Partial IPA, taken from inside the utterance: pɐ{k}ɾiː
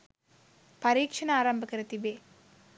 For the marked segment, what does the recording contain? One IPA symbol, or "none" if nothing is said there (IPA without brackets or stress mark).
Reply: none